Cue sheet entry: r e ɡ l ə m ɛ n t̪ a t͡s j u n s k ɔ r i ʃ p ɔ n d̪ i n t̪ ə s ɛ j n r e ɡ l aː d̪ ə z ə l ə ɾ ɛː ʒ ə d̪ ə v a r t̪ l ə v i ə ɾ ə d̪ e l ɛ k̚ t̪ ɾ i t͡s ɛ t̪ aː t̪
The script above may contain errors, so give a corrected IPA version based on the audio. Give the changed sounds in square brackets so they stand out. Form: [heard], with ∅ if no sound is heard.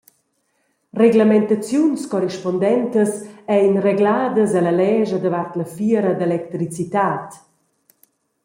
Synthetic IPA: r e ɡ l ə m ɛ n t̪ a t͡s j u n s k ɔ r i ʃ p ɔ n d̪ [ɛ] n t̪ ə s ɛ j n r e ɡ l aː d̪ ə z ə l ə [l] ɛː ʒ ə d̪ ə v a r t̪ l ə [f] i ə ɾ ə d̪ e l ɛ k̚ t̪ ɾ i t͡s [i] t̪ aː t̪

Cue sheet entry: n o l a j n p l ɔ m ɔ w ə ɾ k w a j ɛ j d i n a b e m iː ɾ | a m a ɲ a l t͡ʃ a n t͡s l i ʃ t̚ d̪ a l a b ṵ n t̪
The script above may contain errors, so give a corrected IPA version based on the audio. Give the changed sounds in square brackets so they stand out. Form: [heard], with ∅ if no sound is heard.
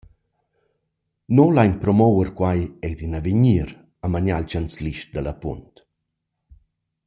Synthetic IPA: n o l a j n p [ɾ] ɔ m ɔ w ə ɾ k w a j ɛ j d i n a [v] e [ɲ] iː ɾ | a m a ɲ a l t͡ʃ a n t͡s l i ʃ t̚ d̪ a l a [p] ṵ n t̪

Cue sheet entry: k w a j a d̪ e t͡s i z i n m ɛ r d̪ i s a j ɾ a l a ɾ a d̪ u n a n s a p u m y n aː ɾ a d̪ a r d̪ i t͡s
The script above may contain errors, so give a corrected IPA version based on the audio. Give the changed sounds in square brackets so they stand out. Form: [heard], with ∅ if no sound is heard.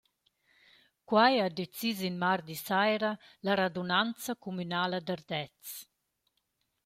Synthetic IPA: k w a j a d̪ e t͡s i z i n m [a] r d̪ i s a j ɾ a l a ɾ a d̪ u n a n [t͡s] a [k] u m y n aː [l] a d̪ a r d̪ [ɛ] t͡s

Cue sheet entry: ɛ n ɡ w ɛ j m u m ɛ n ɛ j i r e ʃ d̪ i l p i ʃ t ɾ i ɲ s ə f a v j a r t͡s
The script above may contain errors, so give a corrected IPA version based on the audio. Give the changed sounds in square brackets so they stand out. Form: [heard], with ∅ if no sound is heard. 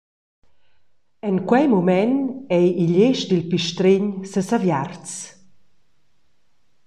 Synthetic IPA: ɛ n [k] w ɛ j m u m ɛ n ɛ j i [ʎ] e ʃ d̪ i l p i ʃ t ɾ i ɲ s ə [s] a v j a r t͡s

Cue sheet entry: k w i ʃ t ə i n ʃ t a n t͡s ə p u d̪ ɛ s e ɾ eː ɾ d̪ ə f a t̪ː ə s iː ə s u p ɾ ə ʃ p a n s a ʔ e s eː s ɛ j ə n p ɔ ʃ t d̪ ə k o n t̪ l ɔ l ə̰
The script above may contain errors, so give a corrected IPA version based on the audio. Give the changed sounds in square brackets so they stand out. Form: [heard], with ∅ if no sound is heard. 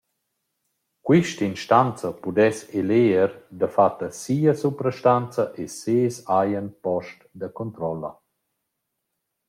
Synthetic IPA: k w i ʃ t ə i n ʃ t a n t͡s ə p u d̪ ɛ s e [l] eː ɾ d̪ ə f a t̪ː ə s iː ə s u p ɾ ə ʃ [t] a n [t͡s] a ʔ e s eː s [a] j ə n p ɔ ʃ t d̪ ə k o n t̪ [ɾ] ɔ l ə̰

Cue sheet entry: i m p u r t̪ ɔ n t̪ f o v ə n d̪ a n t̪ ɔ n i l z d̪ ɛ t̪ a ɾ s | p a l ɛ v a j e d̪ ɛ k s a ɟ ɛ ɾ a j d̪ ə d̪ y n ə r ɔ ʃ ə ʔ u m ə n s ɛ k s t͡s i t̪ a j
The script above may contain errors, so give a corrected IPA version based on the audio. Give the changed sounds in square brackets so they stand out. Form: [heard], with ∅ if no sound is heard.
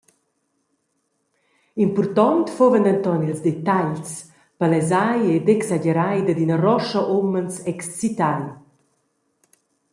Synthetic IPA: i m p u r t̪ ɔ n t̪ f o v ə n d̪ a n t̪ ɔ n i l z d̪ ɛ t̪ a [ʎ] s | p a l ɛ [z] a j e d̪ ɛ k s a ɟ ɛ ɾ a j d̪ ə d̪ [i] n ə r ɔ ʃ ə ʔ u m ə n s ɛ k s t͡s i t̪ a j

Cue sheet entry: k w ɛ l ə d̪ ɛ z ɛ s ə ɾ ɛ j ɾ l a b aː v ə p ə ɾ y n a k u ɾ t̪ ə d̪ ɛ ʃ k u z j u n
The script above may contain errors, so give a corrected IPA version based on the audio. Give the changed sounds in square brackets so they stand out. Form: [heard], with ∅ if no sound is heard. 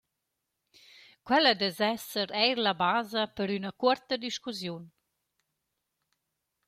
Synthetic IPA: k w ɛ l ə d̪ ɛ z ɛ s ə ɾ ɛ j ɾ l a b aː [z] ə p ə ɾ y n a k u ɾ t̪ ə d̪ [i] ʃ k u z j u n

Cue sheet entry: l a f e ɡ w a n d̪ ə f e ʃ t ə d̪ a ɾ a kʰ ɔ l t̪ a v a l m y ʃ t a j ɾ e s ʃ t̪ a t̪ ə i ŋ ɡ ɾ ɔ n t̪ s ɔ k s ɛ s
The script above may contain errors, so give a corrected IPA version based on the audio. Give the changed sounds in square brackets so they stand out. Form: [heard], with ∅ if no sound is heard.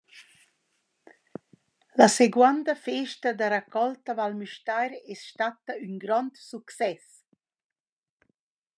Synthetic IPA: l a [s] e ɡ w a n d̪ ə f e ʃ t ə d̪ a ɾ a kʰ ɔ l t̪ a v a l m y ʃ t a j ɾ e s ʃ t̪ a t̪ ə [y] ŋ ɡ ɾ ɔ n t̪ s [u] k s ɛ s

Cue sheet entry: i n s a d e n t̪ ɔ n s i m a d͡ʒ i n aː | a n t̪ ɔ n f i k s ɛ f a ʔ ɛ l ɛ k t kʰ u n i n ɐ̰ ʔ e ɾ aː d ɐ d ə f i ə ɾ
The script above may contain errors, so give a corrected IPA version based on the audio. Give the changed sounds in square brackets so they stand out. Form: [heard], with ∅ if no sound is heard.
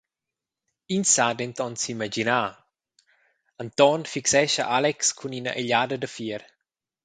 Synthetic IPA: i n s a d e n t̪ ɔ n s i m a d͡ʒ i n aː | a n t̪ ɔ n f i k s ɛ [ʃ] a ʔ [a] l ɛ k [s] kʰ u n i n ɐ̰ ʔ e [ʎ] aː d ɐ d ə f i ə ɾ

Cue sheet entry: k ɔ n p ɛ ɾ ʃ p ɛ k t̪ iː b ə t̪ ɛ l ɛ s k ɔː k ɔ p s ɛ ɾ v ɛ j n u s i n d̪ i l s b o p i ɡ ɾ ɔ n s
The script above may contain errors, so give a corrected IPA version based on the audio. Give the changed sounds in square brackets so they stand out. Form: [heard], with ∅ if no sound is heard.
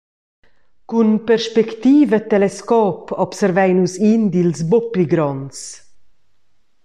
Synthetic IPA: k [u] n p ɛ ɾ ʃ p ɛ k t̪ iː [v] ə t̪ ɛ l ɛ s k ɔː [p] ɔ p s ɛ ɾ v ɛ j n u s i n d̪ i l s b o p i ɡ ɾ ɔ n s

